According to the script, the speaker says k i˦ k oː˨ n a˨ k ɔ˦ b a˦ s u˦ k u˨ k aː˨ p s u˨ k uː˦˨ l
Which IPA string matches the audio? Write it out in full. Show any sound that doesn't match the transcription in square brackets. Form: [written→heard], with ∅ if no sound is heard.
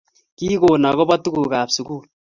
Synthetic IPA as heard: k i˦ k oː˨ n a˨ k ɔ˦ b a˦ [s→t] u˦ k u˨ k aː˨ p s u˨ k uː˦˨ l